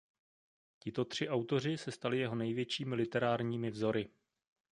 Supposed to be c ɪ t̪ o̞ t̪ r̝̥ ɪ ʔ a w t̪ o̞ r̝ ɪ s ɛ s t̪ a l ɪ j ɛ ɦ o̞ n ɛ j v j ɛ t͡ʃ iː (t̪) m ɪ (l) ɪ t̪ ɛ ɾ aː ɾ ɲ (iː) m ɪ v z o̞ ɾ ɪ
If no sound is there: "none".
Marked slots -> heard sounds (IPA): none, l, iː

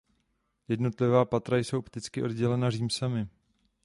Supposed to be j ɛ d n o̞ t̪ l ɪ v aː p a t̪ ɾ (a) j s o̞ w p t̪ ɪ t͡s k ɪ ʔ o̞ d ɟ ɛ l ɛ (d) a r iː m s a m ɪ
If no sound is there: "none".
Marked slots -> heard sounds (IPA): a, n

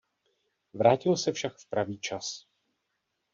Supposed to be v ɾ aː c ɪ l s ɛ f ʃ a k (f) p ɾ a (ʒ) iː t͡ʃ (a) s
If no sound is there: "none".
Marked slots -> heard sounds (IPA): f, v, a

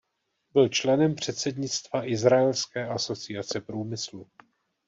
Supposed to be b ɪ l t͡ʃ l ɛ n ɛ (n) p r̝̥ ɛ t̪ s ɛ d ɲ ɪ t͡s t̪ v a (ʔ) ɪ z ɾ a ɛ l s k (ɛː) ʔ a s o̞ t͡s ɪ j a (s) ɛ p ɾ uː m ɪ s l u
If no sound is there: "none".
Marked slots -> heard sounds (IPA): m, ʔ, ɛː, t͡s

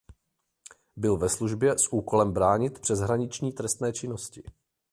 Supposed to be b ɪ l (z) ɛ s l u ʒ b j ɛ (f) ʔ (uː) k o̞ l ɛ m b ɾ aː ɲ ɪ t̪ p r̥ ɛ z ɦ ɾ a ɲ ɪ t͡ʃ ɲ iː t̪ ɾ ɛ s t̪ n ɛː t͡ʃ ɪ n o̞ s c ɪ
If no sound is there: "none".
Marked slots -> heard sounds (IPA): v, s, uː

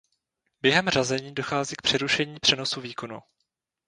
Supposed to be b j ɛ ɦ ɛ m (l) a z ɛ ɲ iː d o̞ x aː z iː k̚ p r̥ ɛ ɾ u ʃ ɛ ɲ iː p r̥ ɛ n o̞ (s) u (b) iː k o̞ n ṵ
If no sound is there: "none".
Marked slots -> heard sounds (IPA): r, s, v

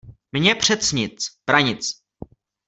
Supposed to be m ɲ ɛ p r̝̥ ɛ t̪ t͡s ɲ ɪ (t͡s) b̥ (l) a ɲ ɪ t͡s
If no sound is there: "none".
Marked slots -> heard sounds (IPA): t͡s, ɾ

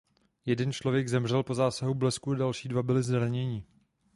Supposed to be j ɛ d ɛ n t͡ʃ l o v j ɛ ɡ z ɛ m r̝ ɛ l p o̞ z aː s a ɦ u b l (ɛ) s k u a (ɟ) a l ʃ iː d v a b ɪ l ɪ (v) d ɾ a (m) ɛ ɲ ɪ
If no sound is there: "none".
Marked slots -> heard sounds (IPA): ɛ, d, z, ɲ

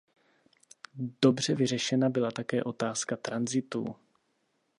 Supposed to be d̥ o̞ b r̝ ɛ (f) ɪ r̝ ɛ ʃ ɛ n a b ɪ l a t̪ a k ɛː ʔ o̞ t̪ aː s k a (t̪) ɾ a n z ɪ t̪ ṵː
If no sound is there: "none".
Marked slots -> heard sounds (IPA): v, t̪

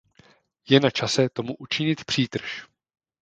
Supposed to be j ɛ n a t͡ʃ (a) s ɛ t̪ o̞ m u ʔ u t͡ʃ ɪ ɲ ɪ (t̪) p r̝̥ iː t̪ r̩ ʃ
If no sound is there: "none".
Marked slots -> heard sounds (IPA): a, t̪

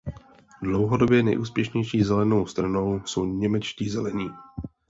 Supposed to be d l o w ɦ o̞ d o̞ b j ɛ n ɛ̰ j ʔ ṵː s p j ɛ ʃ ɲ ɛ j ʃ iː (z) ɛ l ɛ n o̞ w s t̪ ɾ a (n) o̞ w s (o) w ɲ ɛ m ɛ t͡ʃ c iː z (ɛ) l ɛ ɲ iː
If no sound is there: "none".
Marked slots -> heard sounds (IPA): z, n, o, ɛ

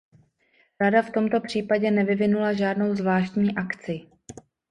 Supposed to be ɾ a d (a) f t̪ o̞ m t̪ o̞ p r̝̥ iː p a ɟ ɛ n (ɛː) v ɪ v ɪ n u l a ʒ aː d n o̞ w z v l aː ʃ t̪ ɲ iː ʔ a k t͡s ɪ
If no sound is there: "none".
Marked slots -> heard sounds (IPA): a, ɛ

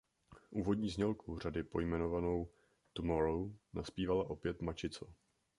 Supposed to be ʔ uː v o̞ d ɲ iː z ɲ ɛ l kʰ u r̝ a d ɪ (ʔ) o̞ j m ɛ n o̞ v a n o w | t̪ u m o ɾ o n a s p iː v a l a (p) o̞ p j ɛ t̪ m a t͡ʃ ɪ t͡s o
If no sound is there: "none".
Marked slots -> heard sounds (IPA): p, ʔ

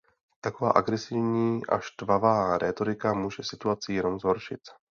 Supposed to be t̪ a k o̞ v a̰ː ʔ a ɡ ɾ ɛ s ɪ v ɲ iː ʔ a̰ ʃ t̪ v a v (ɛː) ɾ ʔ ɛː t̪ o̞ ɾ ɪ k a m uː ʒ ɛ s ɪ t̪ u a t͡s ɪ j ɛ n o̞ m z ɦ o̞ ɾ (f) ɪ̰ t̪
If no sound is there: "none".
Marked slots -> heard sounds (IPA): aː, ʃ

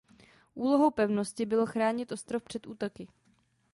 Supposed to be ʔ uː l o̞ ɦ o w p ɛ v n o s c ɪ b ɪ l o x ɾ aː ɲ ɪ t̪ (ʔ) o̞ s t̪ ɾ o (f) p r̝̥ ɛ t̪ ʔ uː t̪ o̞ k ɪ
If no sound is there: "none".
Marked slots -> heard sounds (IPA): ʔ, f

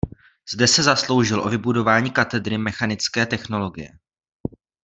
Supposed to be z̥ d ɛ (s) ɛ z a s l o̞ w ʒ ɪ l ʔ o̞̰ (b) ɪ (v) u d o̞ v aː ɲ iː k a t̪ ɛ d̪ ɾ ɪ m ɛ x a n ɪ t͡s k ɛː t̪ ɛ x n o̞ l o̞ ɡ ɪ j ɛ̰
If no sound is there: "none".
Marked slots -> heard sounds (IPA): s, v, b

